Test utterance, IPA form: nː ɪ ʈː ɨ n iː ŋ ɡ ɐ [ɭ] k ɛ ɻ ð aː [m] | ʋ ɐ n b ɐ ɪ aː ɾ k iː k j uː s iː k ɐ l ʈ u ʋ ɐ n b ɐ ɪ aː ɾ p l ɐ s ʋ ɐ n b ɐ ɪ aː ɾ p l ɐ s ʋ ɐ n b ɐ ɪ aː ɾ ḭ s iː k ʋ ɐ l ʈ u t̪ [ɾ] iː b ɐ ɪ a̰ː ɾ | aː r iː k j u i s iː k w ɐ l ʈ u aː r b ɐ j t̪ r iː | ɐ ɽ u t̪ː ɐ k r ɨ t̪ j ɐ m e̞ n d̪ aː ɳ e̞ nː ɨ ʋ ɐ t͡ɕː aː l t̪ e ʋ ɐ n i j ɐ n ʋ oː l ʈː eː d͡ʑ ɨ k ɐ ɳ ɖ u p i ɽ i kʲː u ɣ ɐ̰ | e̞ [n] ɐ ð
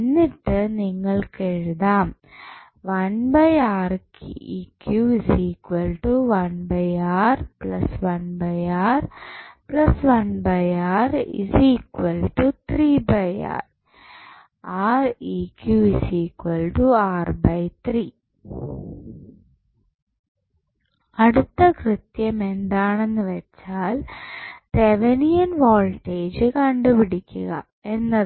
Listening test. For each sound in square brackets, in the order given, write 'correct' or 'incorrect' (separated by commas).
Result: correct, correct, correct, incorrect